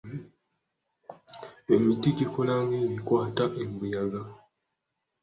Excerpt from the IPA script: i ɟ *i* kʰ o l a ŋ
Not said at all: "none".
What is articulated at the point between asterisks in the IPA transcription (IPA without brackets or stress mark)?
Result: i